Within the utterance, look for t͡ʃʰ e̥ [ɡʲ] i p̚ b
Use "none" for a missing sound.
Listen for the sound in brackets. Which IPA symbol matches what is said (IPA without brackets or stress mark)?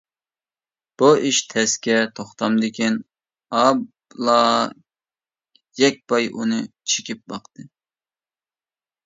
kʲ